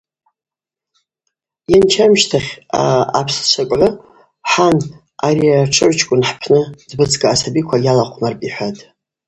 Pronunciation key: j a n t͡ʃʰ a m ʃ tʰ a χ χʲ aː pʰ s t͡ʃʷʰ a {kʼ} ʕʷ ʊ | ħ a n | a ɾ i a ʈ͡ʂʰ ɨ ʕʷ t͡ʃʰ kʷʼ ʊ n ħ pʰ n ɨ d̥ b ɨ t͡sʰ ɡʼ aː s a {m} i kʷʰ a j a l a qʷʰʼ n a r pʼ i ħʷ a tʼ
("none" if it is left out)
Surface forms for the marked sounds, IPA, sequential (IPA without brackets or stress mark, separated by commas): kʼ, b